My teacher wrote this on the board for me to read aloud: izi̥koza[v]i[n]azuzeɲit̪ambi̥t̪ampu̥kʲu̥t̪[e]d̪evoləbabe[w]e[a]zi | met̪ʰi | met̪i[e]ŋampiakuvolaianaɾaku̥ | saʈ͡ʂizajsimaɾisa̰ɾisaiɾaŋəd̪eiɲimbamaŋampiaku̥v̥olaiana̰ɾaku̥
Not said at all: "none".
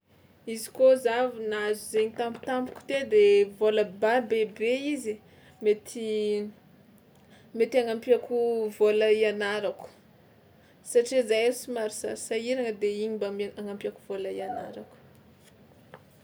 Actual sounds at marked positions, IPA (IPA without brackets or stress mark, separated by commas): v, n, e, b, i, a